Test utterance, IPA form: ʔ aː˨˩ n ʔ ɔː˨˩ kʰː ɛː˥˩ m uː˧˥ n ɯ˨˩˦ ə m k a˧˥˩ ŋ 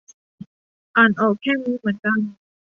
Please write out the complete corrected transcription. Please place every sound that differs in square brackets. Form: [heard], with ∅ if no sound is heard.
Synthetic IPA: ʔ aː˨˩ n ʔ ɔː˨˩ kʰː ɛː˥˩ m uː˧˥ [m] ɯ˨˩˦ ə [n] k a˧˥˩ [n]